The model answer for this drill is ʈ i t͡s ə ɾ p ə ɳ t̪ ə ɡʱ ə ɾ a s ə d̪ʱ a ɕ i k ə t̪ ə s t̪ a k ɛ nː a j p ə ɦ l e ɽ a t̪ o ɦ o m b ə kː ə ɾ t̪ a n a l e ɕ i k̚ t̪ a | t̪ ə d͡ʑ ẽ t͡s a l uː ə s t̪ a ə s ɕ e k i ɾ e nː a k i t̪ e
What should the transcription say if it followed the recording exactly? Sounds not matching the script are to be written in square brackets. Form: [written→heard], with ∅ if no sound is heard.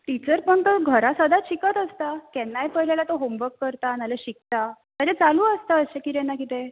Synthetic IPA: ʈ i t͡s ə ɾ p ə ɳ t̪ ə ɡʱ ə ɾ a s ə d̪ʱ a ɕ i k ə t̪ ə s t̪ a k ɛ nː a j p ə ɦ l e [ɽ→l] a t̪ o ɦ o m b ə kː ə ɾ t̪ a n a l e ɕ i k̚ t̪ a | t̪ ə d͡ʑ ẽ t͡s a l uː ə s t̪ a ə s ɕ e k i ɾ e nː a k i t̪ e